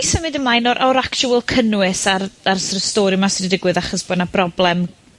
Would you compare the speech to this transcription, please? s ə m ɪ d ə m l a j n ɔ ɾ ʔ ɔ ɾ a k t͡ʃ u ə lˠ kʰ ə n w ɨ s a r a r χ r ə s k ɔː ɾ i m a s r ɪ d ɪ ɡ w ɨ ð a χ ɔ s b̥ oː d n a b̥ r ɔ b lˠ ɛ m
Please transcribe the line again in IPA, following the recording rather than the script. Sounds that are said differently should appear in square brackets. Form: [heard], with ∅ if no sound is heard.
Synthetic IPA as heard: s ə m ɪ d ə m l a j n ɔ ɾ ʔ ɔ ɾ a k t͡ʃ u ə lˠ kʰ ə n w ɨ s a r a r [s] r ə s [t] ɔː ɾ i m a s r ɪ d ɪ ɡ w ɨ ð a χ ɔ s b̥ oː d n a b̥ r ɔ b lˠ ɛ m